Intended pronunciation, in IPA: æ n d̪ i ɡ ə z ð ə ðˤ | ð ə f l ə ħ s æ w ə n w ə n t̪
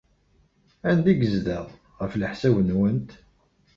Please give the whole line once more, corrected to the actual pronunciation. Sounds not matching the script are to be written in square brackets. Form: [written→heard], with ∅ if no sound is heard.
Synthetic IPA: æ n d̪ i ɡ ə z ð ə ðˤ | [ð→ʁ] ə f l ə ħ s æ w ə n w ə n t̪